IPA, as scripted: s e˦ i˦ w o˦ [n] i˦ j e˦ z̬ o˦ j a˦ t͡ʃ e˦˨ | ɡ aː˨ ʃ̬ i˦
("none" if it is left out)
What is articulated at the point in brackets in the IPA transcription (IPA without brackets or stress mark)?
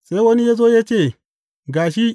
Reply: n